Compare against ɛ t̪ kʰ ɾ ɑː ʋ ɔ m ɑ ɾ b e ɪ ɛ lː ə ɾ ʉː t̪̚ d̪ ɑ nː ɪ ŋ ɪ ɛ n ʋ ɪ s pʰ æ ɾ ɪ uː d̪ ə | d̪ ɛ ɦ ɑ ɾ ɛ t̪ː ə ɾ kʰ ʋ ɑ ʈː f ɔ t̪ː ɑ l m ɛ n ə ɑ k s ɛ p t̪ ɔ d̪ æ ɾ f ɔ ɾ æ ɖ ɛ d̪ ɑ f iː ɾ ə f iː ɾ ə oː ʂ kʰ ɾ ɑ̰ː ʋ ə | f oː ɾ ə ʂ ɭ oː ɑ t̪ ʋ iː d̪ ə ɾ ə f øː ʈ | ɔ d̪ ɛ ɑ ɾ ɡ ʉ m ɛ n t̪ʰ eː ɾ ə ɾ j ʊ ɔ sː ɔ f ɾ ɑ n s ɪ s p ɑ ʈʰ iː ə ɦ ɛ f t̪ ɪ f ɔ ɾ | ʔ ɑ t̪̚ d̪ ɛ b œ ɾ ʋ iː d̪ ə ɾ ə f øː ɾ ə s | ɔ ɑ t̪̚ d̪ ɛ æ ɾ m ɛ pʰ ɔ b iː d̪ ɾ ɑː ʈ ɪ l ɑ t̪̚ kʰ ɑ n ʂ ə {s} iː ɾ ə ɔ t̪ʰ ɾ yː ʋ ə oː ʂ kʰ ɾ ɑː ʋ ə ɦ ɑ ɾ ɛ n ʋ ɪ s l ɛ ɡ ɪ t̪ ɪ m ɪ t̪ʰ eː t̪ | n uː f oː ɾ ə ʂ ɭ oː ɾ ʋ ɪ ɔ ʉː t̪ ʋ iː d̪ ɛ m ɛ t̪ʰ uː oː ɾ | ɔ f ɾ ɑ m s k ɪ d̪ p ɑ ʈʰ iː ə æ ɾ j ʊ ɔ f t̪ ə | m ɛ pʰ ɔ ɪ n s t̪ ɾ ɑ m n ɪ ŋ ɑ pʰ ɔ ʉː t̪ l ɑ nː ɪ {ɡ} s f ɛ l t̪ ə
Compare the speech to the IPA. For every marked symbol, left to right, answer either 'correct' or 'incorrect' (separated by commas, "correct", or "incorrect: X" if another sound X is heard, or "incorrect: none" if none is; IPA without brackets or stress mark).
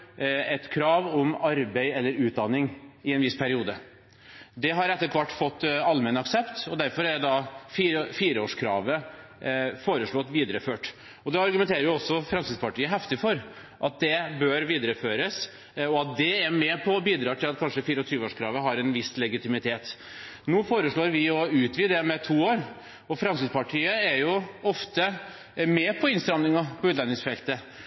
incorrect: f, incorrect: ŋ